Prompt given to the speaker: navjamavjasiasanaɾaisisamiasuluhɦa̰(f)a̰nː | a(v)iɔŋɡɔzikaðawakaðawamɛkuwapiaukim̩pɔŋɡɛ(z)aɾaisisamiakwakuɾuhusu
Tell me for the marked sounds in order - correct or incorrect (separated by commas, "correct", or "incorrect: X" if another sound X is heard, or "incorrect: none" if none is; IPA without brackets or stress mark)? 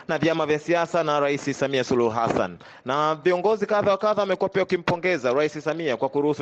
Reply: incorrect: s, correct, correct